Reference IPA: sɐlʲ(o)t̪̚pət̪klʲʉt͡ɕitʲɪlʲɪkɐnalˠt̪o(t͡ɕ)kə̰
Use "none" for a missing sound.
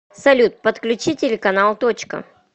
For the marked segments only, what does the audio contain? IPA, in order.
u, t͡ɕ

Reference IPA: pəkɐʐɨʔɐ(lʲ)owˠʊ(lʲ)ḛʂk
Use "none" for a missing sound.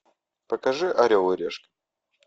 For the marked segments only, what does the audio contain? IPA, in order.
ɾʲ, ɾʲ

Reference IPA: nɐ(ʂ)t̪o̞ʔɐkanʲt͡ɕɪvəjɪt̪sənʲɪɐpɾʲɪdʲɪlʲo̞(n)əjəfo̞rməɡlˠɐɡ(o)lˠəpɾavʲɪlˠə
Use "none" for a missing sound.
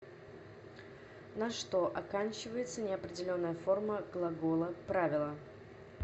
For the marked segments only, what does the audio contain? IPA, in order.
ʂ, nː, o

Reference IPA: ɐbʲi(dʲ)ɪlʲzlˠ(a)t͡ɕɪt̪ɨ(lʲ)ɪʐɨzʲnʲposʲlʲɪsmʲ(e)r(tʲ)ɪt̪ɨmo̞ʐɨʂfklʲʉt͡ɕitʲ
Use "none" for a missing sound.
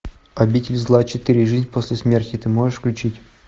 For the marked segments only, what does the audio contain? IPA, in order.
tʲ, a, ɾʲ, e, tʲ

